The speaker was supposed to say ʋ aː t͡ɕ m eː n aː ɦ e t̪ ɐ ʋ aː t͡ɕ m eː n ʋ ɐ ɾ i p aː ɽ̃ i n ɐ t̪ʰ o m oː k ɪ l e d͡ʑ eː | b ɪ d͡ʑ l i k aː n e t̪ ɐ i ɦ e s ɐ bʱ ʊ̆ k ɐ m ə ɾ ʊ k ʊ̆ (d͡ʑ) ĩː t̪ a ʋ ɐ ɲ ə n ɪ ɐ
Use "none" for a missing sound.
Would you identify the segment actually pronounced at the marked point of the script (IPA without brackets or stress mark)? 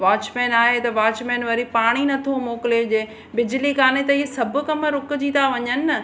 d͡ʑ